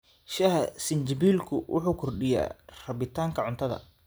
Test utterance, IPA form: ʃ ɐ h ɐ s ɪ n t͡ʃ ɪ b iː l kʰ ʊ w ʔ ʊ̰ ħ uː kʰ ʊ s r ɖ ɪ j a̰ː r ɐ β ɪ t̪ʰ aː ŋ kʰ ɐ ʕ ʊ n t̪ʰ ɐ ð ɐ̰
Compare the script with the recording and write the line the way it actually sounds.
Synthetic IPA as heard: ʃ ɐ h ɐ s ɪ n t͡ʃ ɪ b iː l kʰ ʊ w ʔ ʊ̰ ħ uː kʰ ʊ r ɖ ɪ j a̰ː r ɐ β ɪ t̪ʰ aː ŋ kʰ ɐ ʕ ʊ n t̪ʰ ɐ ð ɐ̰